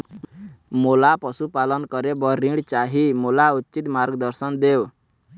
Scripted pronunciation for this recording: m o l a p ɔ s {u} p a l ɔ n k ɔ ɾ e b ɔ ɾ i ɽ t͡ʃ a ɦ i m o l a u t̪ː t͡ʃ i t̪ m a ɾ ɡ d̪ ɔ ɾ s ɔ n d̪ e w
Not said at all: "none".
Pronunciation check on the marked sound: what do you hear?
u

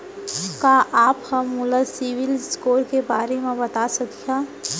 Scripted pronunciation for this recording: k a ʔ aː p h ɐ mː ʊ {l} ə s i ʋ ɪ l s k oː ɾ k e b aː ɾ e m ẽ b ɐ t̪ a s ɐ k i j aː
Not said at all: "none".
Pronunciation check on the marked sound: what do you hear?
l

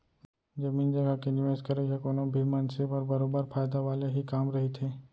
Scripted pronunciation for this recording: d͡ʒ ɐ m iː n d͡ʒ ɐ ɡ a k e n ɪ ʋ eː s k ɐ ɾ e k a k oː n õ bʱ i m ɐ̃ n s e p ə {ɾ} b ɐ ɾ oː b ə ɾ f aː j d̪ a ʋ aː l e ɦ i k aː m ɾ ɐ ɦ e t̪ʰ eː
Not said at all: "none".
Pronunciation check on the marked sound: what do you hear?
ɾ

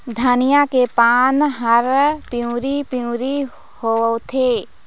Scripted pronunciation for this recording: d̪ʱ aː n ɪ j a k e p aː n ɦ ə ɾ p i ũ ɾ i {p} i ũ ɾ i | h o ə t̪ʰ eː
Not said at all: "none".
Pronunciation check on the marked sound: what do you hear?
p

